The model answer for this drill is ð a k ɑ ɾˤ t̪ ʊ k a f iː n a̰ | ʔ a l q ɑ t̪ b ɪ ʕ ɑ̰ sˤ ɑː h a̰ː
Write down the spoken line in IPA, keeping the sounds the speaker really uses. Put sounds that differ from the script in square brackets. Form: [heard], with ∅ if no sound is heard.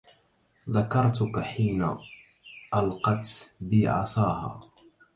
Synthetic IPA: ð a k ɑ ɾˤ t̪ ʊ k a [ħ] iː n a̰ | ʔ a l q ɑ t̪ b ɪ ʕ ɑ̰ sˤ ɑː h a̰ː

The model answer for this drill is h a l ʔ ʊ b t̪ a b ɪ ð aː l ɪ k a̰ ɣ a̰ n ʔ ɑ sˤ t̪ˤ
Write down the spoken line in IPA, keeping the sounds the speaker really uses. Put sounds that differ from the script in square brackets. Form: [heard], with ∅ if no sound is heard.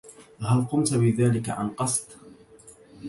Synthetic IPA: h a l [q] ʊ [m] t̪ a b ɪ ð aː l ɪ k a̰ [ʕ] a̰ n [q] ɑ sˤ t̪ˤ

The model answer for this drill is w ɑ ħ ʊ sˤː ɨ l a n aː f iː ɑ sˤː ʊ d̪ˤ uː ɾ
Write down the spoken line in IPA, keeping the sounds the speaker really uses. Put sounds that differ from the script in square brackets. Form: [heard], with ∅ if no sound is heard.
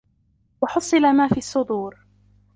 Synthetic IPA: w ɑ ħ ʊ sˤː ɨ l a [m] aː f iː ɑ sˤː ʊ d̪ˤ uː ɾ

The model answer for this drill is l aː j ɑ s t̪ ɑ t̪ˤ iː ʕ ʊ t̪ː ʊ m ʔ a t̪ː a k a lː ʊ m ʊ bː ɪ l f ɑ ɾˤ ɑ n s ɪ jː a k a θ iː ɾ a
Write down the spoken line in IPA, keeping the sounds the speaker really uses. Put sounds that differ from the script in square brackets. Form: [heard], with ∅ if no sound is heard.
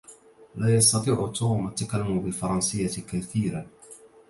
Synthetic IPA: l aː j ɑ s t̪ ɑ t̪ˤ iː ʕ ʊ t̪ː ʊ m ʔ a t̪ː a k a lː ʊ m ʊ [b] ɪ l f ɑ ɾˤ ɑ n s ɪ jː a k a θ iː ɾ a

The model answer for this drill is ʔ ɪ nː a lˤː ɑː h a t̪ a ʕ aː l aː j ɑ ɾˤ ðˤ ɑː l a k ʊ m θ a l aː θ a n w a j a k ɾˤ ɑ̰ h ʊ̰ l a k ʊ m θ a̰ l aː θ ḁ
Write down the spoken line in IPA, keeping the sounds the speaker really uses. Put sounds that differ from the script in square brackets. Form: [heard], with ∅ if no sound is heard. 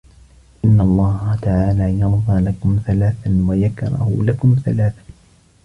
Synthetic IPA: ʔ ɪ nː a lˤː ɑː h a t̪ a ʕ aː l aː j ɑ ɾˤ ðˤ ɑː l a k ʊ m θ a l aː θ a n w a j a k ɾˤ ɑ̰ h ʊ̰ l a k ʊ m θ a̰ l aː θ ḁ

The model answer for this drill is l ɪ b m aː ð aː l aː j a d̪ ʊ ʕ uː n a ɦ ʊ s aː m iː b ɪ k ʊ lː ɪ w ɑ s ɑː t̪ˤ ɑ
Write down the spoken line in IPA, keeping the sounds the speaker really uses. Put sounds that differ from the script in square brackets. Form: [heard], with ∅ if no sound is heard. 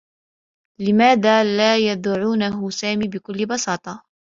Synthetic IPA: l ɪ [∅] m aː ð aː l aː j a d̪ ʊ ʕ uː n a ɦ ʊ s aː m iː b ɪ k ʊ lː ɪ [b] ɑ s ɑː t̪ˤ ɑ

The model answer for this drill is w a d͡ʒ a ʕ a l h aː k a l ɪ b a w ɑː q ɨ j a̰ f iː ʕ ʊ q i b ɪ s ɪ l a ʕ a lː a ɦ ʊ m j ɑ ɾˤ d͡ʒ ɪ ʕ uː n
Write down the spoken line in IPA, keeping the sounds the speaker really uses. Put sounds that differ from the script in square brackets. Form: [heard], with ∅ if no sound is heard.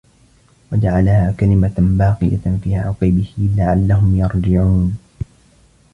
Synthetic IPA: w a d͡ʒ a ʕ a l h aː k a l ɪ [m] a [b] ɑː q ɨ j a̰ f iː ʕ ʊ q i b ɪ [h] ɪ l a ʕ a lː a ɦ ʊ m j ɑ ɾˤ d͡ʒ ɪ ʕ uː n

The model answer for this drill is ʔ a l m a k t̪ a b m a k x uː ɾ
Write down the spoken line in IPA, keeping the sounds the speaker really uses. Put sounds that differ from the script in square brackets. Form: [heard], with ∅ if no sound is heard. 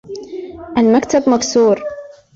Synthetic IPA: ʔ a l m a k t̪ a b m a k [s] uː ɾ

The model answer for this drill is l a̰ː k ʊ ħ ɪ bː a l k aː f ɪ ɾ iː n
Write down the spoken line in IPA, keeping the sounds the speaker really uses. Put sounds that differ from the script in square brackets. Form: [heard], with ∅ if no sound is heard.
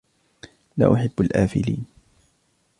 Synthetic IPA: l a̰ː [ʔ] ʊ ħ ɪ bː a l [ʔ] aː f ɪ [l] iː n

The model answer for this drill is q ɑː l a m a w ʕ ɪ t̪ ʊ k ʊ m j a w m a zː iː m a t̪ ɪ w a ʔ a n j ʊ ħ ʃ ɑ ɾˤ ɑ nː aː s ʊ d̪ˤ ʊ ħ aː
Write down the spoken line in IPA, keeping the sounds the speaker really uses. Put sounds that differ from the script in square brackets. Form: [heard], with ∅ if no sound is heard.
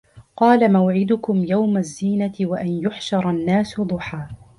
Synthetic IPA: q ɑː l a m a w ʕ ɪ [d̪] ʊ k ʊ m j a w m a zː iː [n] a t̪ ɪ w a ʔ a n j ʊ ħ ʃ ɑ ɾˤ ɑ nː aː s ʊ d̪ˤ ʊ ħ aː

